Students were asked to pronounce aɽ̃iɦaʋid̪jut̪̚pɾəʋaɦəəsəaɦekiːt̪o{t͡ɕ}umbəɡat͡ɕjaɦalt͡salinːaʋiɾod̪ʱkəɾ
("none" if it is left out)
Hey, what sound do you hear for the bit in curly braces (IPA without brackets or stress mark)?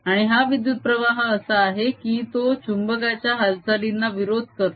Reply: t͡ɕ